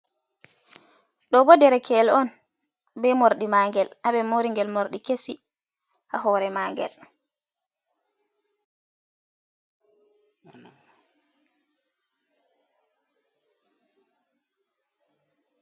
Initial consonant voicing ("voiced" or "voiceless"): voiced